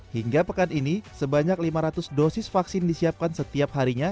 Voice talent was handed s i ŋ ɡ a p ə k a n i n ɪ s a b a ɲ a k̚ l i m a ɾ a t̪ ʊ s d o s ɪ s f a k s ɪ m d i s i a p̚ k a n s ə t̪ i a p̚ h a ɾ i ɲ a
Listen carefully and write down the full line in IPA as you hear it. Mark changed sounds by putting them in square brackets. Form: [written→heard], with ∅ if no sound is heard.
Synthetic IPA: [s→h] i ŋ ɡ a p ə k a n i n [ɪ→i] s [a→ə] b a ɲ a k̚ l i m a ɾ a t̪ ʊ s d o s ɪ s f a k s ɪ [m→n] d i s i a p̚ k a n s ə t̪ i a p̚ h a ɾ i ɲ a